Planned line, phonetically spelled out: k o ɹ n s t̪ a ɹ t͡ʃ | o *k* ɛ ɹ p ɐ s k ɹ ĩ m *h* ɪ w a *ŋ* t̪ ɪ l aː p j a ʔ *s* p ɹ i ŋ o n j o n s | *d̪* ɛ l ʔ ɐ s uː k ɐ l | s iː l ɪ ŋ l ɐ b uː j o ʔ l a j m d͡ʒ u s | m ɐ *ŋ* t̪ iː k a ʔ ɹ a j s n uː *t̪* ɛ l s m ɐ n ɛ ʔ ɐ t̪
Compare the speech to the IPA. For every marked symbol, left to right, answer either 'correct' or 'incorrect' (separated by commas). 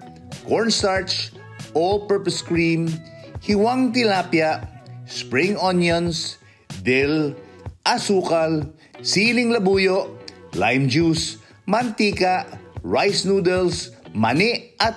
incorrect, correct, correct, correct, correct, incorrect, incorrect